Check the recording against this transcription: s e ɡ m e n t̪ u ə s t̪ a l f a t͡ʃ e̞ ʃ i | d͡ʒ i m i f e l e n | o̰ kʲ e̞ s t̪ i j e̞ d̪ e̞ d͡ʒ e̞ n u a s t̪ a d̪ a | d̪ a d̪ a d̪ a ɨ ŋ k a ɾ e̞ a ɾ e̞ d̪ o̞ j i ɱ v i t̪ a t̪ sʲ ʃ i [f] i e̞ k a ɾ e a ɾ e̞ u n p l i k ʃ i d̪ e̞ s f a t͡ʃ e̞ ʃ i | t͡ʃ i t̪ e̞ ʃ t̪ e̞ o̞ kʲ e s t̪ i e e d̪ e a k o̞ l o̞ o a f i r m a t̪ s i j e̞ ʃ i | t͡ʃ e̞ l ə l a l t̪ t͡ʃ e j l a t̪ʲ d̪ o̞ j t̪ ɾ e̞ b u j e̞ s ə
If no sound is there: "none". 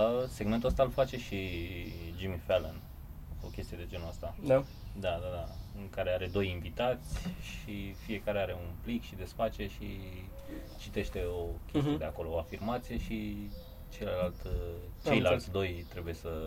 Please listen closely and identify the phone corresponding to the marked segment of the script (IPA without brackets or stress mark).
f